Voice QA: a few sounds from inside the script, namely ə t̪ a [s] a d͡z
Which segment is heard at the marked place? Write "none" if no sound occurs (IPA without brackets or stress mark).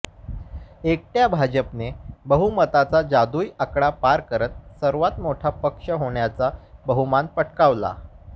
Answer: t͡s